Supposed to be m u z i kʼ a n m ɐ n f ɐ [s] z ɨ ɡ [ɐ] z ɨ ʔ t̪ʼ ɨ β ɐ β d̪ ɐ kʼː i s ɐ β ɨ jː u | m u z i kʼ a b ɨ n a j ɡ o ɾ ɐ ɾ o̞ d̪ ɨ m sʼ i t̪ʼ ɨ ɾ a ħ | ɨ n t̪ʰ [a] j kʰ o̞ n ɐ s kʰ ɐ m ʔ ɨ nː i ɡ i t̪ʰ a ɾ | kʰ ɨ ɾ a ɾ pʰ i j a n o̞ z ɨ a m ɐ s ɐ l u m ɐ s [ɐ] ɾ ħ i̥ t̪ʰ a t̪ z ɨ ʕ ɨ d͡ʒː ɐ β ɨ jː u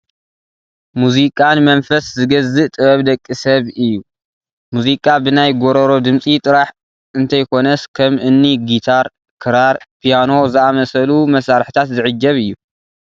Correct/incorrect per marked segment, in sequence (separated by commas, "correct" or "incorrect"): correct, correct, incorrect, incorrect